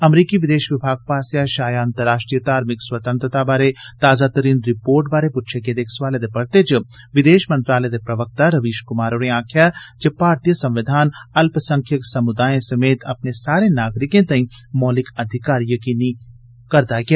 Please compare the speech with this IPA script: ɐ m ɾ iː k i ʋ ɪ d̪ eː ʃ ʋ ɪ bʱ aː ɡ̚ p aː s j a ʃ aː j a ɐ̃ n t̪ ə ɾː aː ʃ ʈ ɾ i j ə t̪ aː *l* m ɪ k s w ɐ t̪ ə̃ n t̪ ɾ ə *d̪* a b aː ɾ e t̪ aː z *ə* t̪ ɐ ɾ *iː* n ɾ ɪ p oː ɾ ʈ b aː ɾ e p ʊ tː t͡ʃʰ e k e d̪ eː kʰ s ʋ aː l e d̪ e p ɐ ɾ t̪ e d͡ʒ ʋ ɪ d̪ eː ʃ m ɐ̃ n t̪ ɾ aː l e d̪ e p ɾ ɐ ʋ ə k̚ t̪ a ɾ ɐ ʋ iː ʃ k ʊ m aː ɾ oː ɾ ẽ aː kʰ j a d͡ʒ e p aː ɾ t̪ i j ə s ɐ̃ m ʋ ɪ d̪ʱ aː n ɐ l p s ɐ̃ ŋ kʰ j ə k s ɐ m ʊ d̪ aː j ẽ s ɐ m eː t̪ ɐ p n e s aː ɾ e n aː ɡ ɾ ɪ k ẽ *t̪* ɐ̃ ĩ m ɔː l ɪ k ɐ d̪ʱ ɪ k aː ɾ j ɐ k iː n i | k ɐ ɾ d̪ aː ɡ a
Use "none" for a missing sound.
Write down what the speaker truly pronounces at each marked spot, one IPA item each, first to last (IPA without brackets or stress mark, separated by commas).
ɾ, t̪, a, iː, t̪